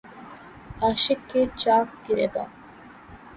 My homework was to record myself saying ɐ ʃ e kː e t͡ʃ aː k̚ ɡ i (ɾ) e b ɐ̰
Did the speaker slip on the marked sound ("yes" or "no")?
no